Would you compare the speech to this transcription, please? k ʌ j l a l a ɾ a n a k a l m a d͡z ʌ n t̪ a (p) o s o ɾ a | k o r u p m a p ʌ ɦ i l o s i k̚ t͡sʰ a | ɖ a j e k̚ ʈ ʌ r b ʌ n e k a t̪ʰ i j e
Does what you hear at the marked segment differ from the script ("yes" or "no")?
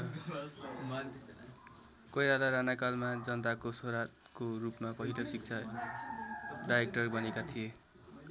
yes